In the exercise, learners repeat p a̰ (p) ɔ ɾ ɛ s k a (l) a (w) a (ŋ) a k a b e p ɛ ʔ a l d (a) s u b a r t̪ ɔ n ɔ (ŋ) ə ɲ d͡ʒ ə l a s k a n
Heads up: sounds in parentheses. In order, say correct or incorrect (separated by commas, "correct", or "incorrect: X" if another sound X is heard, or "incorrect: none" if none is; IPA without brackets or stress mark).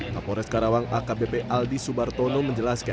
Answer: correct, incorrect: ɾ, correct, correct, incorrect: i, incorrect: m